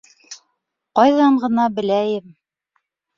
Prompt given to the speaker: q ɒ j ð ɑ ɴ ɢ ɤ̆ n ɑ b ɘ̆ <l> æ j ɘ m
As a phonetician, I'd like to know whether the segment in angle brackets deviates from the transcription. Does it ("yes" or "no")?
no